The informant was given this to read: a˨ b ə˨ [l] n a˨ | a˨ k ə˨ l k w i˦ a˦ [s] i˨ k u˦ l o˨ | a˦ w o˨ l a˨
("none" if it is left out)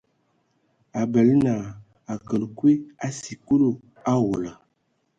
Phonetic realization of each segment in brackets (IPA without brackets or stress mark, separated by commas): l, s